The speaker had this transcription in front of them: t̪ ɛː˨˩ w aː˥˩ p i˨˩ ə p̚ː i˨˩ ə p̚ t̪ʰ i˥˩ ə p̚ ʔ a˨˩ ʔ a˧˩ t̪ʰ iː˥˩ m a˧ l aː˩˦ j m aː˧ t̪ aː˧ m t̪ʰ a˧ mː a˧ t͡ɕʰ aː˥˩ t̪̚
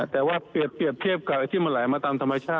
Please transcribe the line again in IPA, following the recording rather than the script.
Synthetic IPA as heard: t̪ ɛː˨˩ w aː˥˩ p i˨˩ ə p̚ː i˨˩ ə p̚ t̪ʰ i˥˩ ə p̚ k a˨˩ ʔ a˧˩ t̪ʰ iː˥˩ m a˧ l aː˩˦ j m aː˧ t̪ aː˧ m t̪ʰ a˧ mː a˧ t͡ɕʰ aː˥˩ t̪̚